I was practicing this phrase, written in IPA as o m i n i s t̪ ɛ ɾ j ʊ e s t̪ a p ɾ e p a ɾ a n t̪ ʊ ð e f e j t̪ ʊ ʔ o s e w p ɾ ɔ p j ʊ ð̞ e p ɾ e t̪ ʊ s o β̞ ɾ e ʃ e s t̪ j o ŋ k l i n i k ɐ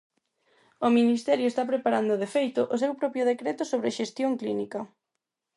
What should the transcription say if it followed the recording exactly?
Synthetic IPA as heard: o m i n i s t̪ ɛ ɾ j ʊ e s t̪ a p ɾ e p a ɾ a n d̪ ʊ ð e f e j t̪ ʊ ʔ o s e w p ɾ ɔ p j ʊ ð̞ e k ɾ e t̪ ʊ s o β̞ ɾ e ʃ e s t̪ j o ŋ k l i n i k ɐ